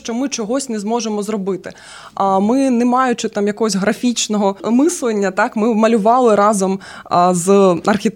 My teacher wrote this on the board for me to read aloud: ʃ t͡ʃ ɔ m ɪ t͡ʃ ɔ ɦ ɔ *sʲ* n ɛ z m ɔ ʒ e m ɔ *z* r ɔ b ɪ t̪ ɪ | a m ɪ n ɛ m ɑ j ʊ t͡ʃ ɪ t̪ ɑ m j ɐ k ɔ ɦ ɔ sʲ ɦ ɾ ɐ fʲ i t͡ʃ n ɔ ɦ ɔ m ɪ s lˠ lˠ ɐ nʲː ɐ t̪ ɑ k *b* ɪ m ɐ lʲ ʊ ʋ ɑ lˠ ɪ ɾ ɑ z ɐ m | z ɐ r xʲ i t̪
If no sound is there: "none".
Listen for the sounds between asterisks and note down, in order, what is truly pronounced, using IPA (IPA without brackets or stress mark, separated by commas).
sʲ, z, m